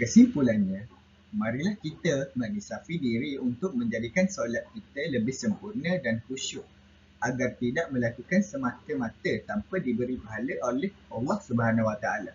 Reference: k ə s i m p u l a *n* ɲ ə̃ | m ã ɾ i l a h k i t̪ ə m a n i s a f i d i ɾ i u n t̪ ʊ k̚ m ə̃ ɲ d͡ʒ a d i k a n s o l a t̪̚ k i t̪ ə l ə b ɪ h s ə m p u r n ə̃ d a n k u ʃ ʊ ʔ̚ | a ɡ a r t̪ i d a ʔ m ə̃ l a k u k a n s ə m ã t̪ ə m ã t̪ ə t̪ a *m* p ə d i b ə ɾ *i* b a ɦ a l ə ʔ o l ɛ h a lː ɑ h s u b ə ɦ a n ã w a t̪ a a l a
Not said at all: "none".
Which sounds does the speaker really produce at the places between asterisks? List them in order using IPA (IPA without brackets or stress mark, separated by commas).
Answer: n, m, i